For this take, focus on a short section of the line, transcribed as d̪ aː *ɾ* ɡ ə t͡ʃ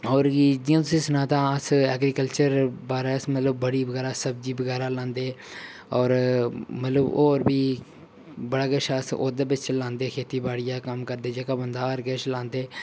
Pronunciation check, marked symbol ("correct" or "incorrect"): correct